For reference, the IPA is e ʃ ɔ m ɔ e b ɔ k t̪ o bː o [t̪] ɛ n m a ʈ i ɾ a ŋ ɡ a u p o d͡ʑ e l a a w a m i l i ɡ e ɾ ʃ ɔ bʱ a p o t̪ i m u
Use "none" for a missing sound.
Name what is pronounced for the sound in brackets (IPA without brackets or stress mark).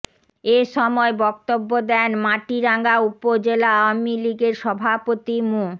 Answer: d̪